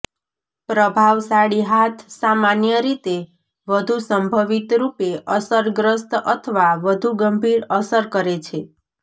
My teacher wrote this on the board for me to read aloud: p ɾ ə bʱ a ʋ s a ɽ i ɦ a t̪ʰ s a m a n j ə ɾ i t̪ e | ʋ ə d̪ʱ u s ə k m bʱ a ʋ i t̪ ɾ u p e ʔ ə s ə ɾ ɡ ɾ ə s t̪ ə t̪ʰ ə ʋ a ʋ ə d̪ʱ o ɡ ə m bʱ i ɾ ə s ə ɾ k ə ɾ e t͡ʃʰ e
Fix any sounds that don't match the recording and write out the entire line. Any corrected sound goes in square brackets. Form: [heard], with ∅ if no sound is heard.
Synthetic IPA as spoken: p ɾ ə bʱ a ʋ s a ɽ i ɦ a t̪ʰ s a m a n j ə ɾ i t̪ e | ʋ ə d̪ʱ u s ə [∅] m bʱ [ə] ʋ i t̪ ɾ u p e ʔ ə s ə ɾ ɡ ɾ ə s t̪ ə t̪ʰ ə ʋ a ʋ ə d̪ʱ [u] ɡ ə m bʱ i ɾ ə s ə ɾ k ə ɾ e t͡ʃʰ e